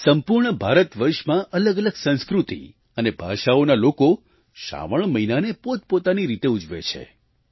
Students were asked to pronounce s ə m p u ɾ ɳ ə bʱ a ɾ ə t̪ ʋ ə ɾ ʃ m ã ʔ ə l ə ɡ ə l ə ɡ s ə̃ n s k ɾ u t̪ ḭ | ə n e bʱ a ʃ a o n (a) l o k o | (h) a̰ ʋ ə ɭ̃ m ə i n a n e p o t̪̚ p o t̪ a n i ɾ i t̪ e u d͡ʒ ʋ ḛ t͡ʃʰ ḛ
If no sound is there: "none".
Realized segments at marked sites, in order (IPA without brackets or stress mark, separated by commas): a, ʃ